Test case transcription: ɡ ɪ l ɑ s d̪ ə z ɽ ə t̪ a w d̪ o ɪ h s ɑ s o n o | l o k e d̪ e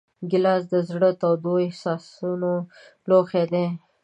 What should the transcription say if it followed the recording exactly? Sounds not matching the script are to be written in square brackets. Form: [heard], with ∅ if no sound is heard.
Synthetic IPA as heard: ɡ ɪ l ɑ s d̪ ə z ɽ ə t̪ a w d̪ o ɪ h s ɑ s [u] n o | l o [x] e d̪ e